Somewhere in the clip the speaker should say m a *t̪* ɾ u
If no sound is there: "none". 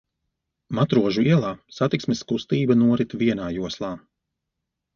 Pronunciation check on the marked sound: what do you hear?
t̪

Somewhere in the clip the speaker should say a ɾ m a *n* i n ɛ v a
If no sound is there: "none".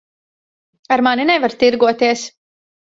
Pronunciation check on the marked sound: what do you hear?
n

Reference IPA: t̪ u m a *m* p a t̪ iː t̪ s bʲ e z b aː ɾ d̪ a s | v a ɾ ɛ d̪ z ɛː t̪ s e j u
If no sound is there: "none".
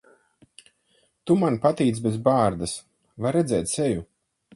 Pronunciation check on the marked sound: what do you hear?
n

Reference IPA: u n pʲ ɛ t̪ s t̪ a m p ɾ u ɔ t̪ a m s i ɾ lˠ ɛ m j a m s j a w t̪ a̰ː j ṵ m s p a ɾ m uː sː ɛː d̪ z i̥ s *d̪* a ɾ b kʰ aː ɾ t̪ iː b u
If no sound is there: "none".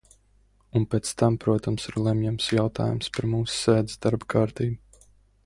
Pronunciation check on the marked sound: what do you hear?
d̪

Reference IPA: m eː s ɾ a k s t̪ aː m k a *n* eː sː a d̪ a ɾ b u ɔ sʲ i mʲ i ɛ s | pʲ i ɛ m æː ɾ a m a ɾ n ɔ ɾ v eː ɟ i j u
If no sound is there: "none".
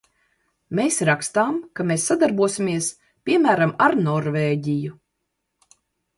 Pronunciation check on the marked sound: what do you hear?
m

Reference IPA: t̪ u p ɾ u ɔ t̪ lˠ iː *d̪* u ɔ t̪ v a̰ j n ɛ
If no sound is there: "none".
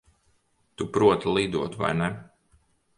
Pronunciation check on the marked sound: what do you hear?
d̪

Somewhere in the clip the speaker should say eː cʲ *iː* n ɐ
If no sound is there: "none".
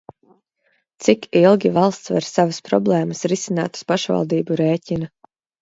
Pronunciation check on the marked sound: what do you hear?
i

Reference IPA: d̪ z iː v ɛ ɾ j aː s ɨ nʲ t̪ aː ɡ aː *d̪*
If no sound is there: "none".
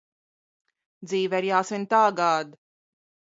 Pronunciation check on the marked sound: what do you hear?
d̪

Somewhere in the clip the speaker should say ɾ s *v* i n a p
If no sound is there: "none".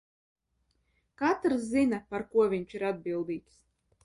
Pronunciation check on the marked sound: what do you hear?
z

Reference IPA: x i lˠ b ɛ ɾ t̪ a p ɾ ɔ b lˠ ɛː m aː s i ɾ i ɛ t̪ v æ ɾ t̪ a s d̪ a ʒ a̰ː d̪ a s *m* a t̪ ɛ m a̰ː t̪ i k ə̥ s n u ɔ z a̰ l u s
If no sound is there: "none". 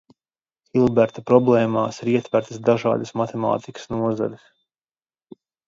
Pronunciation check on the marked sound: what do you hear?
m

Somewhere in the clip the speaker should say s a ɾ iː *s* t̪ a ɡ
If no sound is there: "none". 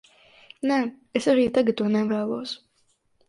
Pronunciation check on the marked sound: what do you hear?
none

